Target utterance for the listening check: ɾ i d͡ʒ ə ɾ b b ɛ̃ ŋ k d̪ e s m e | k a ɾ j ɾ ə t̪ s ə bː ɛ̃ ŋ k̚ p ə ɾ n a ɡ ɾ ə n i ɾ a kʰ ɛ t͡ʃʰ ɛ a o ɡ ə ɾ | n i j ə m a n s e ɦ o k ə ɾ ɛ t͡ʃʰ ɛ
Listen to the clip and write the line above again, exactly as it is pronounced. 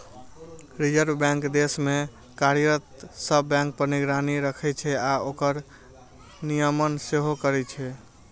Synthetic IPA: ɾ i d͡ʒ ə ɾ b b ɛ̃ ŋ k d̪ e s m e | k a ɾ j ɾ ə t̪ s ə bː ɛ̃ ŋ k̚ p ə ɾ n i ɡ ɾ a n i ɾ ə kʰ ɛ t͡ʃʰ ɛ a o k ə ɾ | n i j ə m ə n s e ɦ o k ə ɾ ɛ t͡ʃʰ ɛ

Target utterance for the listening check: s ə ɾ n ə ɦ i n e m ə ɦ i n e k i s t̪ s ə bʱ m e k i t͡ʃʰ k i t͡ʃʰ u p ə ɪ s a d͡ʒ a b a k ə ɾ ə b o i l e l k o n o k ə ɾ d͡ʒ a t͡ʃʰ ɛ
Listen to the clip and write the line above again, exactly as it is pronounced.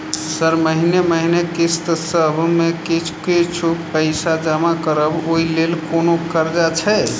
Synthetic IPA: s ə ɾ m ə ɦ i n e m ə ɦ i n e k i s t̪ s ə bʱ m e k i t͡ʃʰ k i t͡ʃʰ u p ə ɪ s a d͡ʒ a m a k ə ɾ ə b o i l e l k o n o k ə ɾ d͡ʒ a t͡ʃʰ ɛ

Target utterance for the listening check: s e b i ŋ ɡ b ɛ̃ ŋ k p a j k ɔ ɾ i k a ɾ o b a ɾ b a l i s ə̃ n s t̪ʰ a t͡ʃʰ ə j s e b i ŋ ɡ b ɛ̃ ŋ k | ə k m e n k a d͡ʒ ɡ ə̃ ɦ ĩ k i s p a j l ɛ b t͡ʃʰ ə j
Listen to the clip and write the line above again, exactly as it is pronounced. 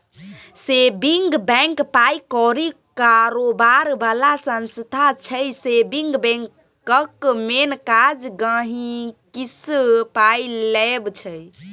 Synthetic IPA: s e b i ŋ ɡ b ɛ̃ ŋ k p a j k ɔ ɾ i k a ɾ o b a ɾ b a l a s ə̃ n s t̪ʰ a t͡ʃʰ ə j s e b i ŋ ɡ b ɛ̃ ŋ k | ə k m e n k a d͡ʒ ɡ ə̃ ɦ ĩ k i s p a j l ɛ b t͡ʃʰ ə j

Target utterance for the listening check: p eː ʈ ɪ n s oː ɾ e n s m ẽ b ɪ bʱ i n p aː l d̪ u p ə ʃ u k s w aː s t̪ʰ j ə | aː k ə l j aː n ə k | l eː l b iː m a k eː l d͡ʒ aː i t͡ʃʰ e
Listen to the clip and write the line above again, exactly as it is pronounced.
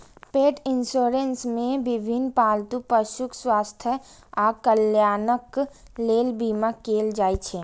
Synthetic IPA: p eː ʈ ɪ n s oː ɾ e n s m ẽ b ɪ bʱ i n p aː l t̪ u p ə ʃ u k s w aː s t̪ʰ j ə | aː k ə l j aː n ə k | l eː l b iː m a k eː l d͡ʒ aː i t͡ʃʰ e

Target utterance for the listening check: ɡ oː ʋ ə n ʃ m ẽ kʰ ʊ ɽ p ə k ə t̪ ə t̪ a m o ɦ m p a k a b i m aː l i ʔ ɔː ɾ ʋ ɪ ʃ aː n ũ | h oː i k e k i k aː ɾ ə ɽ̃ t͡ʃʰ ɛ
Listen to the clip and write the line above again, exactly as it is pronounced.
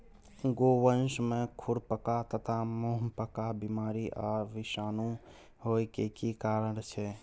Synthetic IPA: ɡ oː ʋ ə n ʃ m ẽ kʰ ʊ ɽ p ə k a t̪ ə t̪ʰ a m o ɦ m p ə k a b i m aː ɾ i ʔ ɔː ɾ ʋ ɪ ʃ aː n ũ | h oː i k e k i k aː ɾ ə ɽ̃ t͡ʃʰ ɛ

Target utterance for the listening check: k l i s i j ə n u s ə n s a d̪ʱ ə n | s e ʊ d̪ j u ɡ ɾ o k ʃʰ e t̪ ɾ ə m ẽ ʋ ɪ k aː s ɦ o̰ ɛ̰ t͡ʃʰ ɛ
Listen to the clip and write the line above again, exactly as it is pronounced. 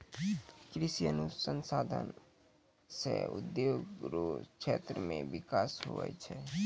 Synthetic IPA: k ɾ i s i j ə n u s ə n s a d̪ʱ ə n | s e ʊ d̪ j o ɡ ɾ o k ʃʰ e t̪ ɾ ə m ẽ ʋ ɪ k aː s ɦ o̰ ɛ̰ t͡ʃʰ ɛ

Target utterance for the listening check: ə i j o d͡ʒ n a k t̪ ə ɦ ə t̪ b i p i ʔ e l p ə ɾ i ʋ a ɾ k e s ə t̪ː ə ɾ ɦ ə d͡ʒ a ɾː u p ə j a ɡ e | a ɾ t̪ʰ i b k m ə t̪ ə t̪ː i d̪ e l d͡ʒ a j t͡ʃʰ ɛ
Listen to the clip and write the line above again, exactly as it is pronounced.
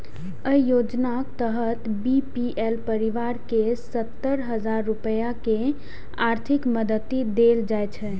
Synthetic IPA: ə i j o d͡ʒ n a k t̪ ə ɦ ə t̪ b i p i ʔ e l p ə ɾ i ʋ a ɾ k e s ə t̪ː ə ɾ ɦ ə d͡ʒ a ɾː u p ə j a k e | a ɾ t̪ʰ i k m ə d̪ ə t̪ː i d̪ e l d͡ʒ a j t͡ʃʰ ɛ

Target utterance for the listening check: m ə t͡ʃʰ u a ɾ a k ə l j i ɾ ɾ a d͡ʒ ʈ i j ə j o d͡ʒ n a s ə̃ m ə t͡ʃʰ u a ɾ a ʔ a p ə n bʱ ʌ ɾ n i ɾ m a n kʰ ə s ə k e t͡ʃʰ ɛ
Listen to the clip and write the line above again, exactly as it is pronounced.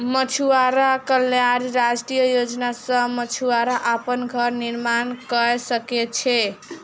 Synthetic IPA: m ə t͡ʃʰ u a ɾ a k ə l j a ɾ ɾ a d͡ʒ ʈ i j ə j o d͡ʒ n a s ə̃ m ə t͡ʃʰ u a ɾ a ʔ a p ə n ɡʱ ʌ ɾ n i ɾ m a n k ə s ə k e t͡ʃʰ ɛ

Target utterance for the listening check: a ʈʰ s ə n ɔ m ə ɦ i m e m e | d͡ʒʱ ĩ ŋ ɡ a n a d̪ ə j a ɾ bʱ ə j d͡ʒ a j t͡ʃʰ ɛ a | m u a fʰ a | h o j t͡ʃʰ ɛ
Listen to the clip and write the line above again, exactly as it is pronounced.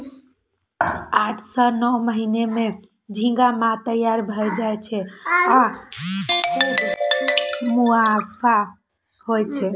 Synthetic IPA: a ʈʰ s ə n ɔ m ə ɦ i n e m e | d͡ʒʱ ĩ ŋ ɡ a m a t̪ ə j a ɾ bʱ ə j d͡ʒ a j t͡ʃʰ ɛ a | m u a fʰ a | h o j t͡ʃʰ ɛ

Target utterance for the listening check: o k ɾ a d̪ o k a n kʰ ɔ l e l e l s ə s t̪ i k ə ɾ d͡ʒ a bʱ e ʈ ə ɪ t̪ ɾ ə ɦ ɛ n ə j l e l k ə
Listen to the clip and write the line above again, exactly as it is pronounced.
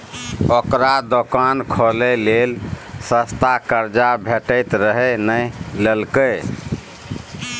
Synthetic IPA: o k ɾ a d̪ o k a n kʰ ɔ l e l e l s ə s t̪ a k ə ɾ d͡ʒ a bʱ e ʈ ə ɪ t̪ ɾ ə ɦ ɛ n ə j l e l k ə

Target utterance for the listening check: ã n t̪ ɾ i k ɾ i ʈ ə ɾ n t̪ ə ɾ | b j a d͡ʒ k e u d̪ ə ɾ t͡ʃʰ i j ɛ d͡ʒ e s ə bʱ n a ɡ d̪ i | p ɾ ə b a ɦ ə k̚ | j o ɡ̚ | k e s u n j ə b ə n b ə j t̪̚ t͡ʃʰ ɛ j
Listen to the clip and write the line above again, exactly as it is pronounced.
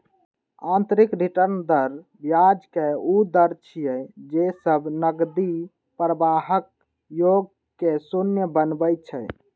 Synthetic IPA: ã n t̪ ɾ i k ɾ i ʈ ə ɾ n d̪ ə ɾ | b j a d͡ʒ k e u d̪ ə ɾ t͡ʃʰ i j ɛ d͡ʒ e s ə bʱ n ə ɡ d̪ i | p ɾ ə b a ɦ ə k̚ | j o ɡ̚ | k e s u n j ə b ə n b ə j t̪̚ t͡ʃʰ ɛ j

